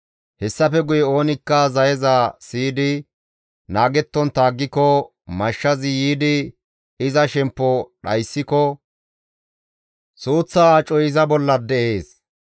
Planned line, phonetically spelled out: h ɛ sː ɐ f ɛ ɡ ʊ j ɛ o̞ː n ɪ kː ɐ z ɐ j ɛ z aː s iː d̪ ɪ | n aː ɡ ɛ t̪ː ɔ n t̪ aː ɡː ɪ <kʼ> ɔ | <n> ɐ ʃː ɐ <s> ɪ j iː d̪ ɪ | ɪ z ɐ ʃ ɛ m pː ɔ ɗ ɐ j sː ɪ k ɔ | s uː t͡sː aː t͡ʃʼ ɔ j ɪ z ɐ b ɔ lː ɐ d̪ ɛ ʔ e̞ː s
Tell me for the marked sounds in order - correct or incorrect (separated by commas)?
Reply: incorrect, incorrect, incorrect